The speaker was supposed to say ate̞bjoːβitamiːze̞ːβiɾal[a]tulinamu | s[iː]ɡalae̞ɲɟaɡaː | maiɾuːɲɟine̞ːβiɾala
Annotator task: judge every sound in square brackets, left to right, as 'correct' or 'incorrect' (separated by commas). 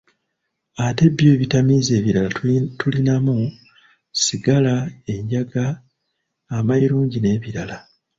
correct, incorrect